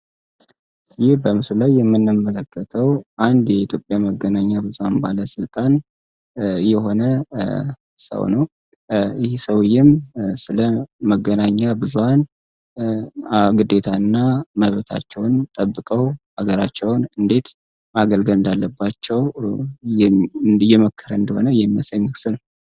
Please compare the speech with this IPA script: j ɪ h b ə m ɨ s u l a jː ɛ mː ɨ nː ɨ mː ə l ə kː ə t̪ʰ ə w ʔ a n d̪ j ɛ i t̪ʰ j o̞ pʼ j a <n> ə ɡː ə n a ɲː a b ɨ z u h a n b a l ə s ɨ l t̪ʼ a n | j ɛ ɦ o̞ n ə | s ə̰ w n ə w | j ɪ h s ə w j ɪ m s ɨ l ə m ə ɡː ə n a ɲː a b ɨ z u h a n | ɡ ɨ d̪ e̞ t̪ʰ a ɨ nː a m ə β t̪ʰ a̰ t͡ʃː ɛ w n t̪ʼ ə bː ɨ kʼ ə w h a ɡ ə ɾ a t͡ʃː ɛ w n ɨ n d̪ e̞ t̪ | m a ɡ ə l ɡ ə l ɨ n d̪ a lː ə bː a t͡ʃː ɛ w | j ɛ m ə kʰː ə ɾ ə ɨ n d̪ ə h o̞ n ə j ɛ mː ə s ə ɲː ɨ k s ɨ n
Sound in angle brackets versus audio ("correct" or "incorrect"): incorrect